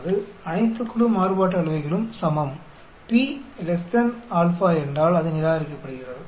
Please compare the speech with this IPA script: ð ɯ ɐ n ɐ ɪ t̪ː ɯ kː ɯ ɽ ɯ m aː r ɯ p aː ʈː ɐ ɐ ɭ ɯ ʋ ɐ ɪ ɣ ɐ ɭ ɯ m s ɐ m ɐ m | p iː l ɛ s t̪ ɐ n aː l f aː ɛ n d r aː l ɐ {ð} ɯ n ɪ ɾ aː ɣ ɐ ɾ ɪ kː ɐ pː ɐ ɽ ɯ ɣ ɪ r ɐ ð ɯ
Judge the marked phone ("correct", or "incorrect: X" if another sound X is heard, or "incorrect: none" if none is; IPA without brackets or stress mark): correct